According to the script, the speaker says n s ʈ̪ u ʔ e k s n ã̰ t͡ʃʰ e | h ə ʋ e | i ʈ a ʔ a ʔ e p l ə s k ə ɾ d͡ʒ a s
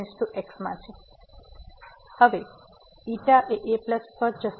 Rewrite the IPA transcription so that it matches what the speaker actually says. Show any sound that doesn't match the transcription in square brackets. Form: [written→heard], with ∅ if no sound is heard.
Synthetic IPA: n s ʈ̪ u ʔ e k s [n→m] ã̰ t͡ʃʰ e | h ə ʋ e | i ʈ a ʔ [a→e] ʔ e p l ə s [k→p] ə ɾ d͡ʒ [a→ə] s